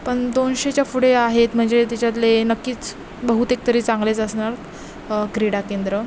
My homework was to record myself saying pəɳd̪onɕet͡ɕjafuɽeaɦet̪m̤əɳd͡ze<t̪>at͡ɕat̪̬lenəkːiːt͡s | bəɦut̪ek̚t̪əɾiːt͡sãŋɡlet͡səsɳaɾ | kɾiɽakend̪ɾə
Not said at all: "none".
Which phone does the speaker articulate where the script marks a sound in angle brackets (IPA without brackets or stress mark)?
t̪